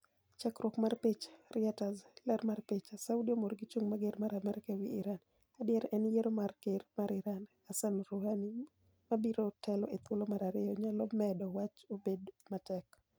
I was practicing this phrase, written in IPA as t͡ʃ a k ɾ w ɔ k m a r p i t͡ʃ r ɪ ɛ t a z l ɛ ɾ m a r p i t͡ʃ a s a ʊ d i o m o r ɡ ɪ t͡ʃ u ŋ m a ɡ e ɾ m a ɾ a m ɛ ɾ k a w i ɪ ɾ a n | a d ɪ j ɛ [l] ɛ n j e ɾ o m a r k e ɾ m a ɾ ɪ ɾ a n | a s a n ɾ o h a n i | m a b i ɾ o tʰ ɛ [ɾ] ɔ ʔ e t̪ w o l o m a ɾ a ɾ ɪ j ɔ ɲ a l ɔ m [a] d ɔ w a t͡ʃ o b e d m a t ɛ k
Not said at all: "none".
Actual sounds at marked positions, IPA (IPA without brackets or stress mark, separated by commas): ɾ, l, ɛ